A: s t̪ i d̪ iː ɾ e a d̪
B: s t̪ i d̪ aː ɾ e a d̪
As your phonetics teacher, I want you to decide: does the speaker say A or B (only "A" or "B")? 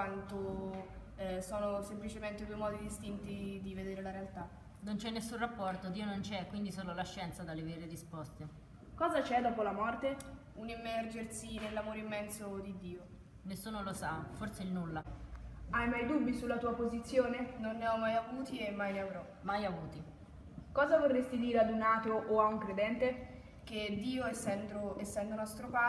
A